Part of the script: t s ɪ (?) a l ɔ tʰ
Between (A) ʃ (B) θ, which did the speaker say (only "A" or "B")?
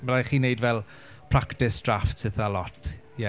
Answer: B